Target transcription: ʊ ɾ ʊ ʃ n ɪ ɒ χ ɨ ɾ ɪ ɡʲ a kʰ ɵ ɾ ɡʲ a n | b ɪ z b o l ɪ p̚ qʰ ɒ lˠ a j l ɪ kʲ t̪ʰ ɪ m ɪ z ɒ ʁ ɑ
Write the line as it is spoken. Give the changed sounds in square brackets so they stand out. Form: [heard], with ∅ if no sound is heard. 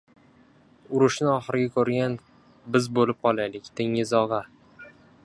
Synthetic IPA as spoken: ʊ ɾ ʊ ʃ n ɪ ɒ χ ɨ ɾ ɪ ɡʲ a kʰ ɵ ɾ ɡʲ a n | b ɪ z b o l ɪ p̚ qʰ ɒ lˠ a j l ɪ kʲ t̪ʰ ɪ [ŋ] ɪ z ɒ ʁ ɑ